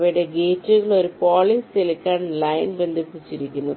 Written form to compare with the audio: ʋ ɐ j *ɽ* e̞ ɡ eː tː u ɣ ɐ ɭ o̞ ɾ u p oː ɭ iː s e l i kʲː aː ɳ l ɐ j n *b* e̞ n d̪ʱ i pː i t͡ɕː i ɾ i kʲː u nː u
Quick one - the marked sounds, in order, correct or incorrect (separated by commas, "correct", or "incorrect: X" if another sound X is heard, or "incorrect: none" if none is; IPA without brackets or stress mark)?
correct, correct